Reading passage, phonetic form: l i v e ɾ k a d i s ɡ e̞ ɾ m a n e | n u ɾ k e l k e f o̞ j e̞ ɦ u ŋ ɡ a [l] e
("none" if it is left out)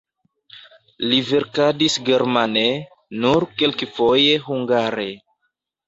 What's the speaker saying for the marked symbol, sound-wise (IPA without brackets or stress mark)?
ɾ